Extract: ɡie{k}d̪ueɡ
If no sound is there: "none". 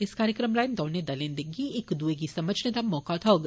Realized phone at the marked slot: k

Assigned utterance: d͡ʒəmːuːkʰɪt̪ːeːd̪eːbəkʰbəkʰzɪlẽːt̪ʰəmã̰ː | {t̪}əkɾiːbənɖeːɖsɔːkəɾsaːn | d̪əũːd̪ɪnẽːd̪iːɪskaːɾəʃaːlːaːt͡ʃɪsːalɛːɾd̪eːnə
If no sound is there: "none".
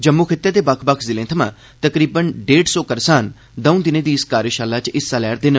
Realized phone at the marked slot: t̪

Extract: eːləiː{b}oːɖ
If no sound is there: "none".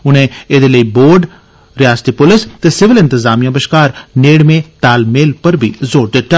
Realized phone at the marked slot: b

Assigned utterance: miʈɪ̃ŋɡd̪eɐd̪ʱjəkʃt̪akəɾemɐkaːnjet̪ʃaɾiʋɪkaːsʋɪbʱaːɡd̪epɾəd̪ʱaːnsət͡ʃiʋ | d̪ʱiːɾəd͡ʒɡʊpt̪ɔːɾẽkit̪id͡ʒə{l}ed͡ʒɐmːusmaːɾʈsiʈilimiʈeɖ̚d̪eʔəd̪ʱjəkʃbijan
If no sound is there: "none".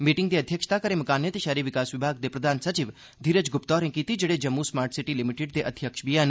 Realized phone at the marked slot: ɽ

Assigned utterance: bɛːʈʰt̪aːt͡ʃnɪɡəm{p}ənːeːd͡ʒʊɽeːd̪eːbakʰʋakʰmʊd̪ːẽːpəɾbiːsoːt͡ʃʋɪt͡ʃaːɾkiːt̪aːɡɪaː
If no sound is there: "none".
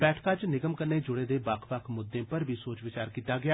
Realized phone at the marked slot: k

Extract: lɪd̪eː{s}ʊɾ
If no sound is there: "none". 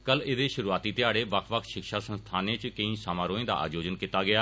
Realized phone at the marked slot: ʃ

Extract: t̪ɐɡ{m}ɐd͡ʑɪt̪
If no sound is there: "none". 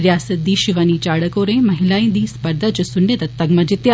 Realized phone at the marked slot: m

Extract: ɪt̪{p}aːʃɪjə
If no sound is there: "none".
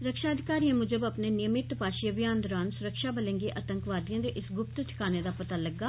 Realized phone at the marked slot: p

